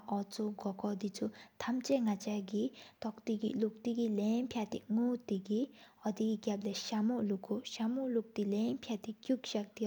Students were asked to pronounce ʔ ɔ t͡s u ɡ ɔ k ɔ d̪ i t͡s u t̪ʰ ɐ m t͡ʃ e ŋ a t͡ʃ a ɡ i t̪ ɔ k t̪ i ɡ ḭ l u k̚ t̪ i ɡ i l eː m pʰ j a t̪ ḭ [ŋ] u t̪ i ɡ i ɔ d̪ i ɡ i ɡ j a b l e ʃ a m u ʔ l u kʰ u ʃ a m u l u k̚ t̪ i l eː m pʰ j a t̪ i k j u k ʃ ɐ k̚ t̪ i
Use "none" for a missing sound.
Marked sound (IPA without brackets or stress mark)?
ŋ